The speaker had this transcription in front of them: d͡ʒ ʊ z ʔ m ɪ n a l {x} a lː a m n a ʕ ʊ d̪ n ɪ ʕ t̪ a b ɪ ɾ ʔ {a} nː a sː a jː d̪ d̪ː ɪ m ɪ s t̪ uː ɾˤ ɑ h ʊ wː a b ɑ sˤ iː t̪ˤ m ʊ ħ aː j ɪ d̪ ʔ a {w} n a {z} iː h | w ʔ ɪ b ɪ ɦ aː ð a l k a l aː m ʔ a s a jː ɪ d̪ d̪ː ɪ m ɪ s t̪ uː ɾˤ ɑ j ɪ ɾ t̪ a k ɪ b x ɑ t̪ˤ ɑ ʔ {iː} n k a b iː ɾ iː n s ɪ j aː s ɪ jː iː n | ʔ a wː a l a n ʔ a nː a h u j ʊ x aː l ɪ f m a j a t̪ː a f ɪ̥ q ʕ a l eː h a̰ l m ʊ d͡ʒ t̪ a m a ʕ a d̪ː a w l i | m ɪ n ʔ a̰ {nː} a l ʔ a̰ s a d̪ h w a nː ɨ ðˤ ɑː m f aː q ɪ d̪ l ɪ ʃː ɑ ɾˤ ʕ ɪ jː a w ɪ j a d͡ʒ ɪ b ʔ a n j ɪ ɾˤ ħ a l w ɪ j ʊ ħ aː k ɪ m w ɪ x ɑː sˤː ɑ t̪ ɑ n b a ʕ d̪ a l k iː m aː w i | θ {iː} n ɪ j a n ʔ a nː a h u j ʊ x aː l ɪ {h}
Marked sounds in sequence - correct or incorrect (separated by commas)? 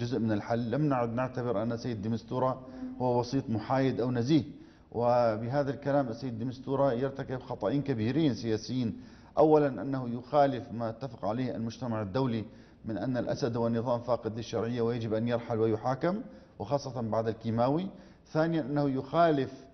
incorrect, correct, correct, correct, correct, correct, incorrect, incorrect